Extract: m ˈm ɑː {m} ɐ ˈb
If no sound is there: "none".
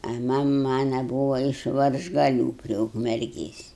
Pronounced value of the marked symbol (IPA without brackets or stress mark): n